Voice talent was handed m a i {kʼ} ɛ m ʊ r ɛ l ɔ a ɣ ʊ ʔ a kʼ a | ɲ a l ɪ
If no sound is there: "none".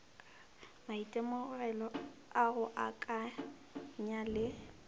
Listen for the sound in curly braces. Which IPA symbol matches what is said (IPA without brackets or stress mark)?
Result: tʼ